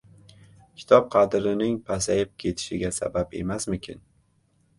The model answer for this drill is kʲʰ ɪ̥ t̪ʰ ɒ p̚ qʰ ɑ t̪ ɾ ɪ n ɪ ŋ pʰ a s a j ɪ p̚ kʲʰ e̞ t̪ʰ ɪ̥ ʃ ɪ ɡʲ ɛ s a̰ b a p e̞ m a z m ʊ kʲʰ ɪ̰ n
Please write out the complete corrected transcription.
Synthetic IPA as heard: kʲʰ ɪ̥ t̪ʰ ɒ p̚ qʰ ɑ d̪ ɾ ɪ n ɪ ŋ pʰ a s a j ɪ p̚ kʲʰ e̞ t̪ʰ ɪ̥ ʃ ɪ ɡʲ a s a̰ b a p e̞ m a s m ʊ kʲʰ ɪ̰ n